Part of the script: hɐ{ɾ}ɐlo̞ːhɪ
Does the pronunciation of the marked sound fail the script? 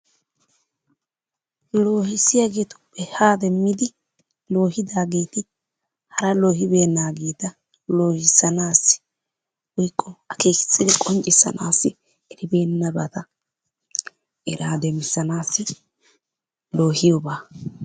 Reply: no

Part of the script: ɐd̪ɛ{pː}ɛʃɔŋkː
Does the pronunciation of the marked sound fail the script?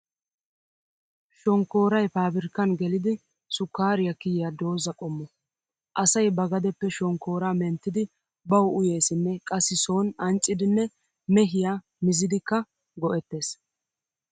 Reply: no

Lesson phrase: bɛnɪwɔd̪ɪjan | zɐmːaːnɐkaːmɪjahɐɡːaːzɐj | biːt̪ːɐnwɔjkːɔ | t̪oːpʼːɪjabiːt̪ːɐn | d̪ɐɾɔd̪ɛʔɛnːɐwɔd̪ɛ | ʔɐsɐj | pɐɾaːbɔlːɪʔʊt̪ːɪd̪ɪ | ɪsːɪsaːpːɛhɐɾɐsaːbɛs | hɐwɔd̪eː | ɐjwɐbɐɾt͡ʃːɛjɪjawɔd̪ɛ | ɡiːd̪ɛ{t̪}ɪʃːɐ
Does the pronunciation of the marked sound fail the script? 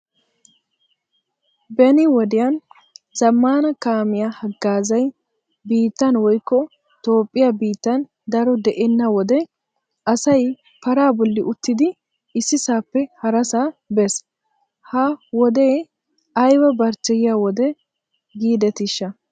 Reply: no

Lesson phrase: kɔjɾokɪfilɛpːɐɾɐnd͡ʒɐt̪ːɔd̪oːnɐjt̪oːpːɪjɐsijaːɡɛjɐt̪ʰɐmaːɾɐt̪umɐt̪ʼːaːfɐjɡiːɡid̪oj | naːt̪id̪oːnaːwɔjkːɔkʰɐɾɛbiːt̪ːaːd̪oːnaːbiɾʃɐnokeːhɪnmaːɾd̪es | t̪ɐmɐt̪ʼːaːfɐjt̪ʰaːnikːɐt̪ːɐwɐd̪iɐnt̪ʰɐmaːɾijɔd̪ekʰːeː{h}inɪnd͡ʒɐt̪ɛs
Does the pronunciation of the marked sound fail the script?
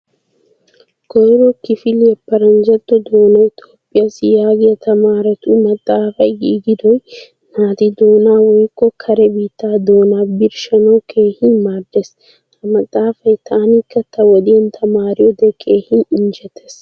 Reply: no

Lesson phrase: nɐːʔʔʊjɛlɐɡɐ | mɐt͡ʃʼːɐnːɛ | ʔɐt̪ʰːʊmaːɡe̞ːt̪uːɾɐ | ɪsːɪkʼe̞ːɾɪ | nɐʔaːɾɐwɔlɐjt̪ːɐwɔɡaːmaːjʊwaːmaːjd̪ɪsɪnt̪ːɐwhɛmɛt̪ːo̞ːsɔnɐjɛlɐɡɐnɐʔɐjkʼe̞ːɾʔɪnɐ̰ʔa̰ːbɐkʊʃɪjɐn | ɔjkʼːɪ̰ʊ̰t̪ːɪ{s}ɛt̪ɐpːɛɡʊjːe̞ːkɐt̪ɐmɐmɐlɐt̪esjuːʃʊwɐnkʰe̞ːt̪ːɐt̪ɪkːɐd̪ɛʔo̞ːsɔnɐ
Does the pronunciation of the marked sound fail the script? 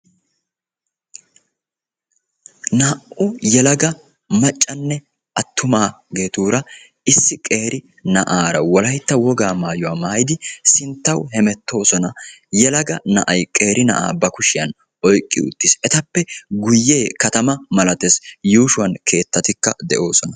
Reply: no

